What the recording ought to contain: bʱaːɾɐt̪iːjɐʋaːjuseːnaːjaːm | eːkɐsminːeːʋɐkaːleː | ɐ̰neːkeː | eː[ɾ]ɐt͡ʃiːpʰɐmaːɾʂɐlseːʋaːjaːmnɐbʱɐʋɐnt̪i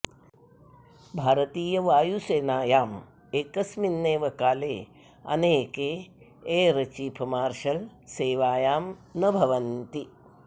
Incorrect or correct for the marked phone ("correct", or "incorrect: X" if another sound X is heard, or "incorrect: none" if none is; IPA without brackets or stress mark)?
correct